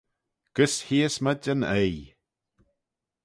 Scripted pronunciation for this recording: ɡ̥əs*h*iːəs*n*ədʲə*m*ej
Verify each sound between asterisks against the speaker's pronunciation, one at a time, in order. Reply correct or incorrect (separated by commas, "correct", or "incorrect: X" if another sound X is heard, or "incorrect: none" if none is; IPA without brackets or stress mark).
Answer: correct, incorrect: m, incorrect: n